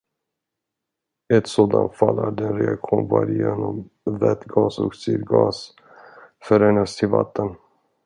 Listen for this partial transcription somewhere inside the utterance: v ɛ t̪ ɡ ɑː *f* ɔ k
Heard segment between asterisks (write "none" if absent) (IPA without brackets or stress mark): s